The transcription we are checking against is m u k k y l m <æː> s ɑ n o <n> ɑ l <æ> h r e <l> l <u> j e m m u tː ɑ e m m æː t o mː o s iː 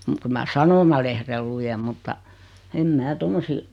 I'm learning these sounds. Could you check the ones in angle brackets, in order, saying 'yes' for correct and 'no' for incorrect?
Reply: no, no, no, yes, yes

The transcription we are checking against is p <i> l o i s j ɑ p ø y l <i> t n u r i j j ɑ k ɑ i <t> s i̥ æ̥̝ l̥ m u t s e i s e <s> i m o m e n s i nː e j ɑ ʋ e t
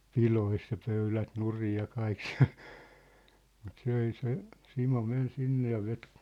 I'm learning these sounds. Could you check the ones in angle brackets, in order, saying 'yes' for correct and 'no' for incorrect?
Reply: yes, no, no, yes

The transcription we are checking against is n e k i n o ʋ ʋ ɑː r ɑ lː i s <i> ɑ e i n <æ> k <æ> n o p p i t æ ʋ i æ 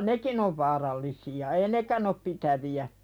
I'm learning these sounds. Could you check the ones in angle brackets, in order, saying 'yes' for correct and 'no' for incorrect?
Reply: yes, no, yes

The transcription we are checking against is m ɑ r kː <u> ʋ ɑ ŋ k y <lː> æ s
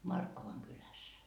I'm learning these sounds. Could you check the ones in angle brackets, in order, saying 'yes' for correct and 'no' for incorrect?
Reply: no, no

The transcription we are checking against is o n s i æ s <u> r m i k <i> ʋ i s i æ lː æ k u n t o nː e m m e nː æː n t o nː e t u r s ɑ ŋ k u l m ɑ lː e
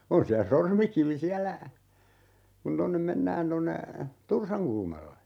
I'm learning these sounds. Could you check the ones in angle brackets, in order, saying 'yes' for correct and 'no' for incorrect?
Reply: no, yes

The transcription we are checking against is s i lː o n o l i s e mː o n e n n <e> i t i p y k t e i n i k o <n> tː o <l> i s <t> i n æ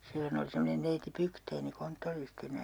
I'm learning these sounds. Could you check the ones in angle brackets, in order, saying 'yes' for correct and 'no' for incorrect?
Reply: yes, yes, no, yes

